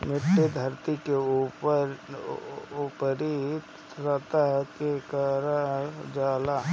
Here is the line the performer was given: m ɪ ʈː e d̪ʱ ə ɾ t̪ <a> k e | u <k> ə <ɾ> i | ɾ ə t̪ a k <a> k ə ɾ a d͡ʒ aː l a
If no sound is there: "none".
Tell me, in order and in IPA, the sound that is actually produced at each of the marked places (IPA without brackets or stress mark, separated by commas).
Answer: i, p, ɾ, e